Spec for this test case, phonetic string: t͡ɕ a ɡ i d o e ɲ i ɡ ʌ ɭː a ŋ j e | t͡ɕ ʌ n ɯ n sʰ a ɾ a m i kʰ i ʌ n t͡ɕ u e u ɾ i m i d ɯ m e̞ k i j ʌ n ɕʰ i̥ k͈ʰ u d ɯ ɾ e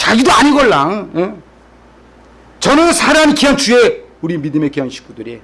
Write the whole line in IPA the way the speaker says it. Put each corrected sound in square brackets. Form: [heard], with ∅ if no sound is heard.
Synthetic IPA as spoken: t͡ɕ a ɡ i d o [a] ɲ i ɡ ʌ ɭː a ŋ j e | t͡ɕ ʌ n ɯ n sʰ a ɾ a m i [k] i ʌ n t͡ɕ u e u ɾ i m i d ɯ m e̞ k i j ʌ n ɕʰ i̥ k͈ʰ u d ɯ ɾ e